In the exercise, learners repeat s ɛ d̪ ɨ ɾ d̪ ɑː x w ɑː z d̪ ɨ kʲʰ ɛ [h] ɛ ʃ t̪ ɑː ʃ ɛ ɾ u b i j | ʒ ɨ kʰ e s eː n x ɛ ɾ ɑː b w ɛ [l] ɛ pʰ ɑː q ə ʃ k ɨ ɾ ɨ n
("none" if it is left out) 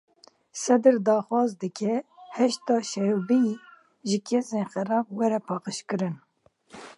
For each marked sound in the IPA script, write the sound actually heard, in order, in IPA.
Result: h, ɾ

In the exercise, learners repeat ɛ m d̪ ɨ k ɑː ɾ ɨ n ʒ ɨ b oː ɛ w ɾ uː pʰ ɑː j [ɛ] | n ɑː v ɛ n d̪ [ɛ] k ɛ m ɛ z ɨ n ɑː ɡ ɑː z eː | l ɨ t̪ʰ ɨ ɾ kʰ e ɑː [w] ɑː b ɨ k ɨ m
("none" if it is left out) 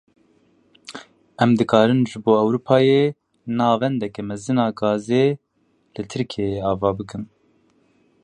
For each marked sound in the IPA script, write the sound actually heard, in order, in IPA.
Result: e, ɛ, v

